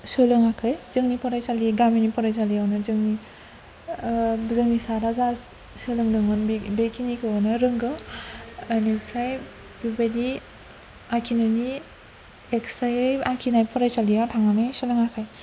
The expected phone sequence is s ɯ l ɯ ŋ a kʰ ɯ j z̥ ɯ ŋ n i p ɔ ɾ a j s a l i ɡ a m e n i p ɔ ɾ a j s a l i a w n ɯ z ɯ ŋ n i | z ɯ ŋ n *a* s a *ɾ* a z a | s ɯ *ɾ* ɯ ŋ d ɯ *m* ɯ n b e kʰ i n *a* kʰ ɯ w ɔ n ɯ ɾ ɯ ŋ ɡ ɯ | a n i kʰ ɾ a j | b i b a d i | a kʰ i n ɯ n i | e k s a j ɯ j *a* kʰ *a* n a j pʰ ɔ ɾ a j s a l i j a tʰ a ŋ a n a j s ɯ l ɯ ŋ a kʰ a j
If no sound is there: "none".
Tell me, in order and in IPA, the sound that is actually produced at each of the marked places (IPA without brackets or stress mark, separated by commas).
i, ɾ, l, ŋ, i, a, i